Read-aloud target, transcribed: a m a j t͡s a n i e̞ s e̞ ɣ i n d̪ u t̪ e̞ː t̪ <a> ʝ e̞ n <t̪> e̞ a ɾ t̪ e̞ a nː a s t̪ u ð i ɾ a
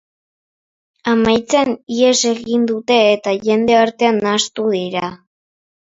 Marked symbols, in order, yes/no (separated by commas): yes, no